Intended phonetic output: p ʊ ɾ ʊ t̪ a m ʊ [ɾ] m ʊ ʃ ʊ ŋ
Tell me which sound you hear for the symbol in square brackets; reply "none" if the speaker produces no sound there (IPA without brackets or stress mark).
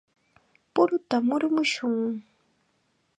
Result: ɾ